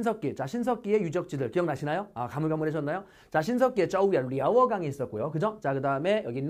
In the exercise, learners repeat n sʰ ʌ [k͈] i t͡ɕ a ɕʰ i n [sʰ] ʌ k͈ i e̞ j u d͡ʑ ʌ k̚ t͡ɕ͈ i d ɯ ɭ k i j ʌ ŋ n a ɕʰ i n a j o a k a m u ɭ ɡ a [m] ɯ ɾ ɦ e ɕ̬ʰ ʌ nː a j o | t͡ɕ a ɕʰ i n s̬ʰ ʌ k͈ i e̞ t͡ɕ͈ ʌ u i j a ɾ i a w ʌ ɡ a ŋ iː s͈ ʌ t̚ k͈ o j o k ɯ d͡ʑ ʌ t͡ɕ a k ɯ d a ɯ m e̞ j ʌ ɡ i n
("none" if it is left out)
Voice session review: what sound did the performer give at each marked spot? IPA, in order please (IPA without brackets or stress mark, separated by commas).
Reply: k͈, sʰ, m